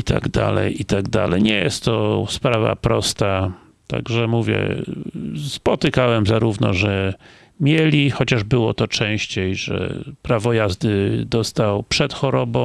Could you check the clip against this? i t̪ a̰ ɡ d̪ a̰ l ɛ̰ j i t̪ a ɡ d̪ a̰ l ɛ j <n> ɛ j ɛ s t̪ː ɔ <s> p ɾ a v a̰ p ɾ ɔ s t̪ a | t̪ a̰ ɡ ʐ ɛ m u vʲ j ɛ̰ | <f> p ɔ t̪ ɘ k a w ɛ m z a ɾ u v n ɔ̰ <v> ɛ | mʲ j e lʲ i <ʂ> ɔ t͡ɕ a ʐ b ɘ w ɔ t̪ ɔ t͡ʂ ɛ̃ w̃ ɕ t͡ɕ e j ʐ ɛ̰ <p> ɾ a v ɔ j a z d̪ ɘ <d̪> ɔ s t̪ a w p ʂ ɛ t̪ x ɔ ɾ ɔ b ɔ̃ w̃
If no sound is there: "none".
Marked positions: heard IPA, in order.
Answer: ɲ, s, s, ʐ, x, p, d̪

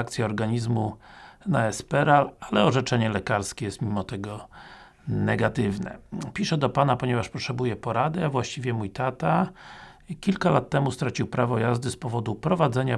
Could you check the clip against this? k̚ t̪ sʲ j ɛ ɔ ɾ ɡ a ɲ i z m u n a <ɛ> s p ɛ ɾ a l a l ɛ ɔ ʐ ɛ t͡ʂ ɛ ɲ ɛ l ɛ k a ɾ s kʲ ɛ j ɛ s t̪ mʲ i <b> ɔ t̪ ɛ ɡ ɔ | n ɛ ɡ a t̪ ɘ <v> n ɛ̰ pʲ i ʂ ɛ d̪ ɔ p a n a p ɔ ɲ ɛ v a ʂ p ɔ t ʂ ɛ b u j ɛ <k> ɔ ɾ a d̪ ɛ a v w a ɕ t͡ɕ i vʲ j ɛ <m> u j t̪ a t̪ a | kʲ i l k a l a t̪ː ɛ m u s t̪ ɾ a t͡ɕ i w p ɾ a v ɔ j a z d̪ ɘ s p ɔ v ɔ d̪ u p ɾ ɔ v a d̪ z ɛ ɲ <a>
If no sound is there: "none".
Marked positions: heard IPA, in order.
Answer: ɛ, m, v, p, m, a

